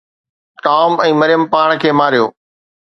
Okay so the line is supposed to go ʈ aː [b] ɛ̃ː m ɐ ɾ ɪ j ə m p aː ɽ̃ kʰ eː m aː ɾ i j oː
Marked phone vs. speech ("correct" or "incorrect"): incorrect